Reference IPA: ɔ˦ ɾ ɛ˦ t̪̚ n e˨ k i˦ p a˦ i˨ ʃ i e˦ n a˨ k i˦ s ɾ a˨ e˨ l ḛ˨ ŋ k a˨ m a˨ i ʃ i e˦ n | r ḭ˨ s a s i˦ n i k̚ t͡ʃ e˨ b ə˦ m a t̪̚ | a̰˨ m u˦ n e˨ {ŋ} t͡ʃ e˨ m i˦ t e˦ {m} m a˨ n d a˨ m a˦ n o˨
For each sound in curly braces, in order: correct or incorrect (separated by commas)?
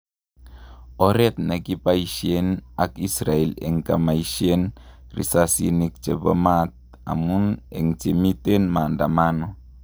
correct, incorrect